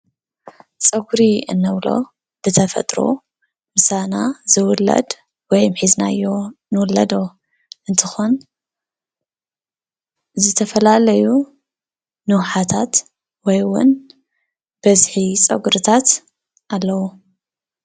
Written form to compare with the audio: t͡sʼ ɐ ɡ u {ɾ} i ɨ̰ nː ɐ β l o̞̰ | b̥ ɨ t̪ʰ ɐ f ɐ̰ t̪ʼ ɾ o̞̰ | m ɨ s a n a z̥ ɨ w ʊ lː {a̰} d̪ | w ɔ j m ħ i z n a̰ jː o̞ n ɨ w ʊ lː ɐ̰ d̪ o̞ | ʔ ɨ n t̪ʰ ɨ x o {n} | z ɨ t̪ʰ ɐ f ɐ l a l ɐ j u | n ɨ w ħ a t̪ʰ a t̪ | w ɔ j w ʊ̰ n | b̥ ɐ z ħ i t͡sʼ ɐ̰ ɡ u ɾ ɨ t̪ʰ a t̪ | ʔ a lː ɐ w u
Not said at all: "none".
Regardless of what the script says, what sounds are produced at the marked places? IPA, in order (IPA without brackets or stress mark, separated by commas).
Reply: ɾ, ɐ̰, n